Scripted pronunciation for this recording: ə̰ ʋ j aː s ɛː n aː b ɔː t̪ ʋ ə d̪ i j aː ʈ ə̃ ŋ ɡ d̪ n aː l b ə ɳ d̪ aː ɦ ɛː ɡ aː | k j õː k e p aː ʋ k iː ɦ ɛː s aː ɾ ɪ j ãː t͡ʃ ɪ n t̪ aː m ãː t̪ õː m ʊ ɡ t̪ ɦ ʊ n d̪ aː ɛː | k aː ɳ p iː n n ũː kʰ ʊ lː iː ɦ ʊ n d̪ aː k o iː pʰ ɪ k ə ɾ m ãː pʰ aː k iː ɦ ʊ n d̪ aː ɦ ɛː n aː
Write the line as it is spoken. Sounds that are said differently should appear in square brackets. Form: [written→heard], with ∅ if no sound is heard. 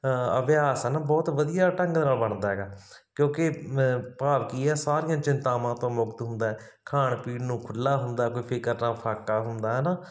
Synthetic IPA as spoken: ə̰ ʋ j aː s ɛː n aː b ɔː t̪ ʋ ə d̪ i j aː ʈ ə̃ ŋ ɡ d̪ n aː l b ə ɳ d̪ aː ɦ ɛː ɡ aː | k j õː k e p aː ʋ k iː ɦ ɛː s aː ɾ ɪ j ãː t͡ʃ ɪ n t̪ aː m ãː t̪ õː m ʊ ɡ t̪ ɦ ʊ n d̪ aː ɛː | [k→kʰ] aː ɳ p iː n n ũː kʰ ʊ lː [iː→aː] ɦ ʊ n d̪ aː k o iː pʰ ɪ k ə ɾ [m→n] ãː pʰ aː k [iː→aː] ɦ ʊ n d̪ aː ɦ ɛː n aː